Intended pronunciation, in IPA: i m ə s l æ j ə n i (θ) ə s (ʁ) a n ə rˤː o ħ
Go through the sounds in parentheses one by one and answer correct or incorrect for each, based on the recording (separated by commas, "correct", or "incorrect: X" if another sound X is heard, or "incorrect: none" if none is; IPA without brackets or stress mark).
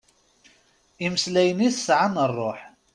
correct, incorrect: ʕ